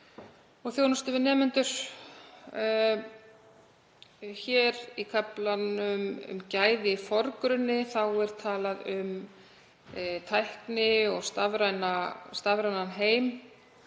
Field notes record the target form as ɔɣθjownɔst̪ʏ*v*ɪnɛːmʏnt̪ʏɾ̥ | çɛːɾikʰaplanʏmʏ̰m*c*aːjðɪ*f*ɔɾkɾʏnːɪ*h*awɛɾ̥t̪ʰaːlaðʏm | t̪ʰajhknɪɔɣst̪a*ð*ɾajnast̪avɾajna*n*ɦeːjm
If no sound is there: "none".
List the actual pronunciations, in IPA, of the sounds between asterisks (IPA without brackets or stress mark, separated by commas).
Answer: v, c, f, θ, v, n